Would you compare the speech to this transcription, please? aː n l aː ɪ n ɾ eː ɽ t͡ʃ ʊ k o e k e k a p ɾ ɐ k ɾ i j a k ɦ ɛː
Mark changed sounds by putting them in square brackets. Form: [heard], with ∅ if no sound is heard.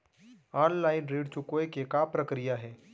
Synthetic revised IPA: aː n l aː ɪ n ɾ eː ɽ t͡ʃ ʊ k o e k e k a p ɾ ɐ k ɾ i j a [∅] ɦ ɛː